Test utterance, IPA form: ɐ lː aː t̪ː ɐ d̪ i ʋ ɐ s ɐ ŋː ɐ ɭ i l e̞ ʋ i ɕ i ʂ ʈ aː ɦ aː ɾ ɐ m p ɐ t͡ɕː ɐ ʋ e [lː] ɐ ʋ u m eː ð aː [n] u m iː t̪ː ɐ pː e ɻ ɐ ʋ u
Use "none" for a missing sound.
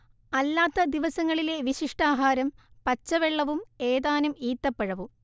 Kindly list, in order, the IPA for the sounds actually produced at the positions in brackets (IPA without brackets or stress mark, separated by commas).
ɭː, n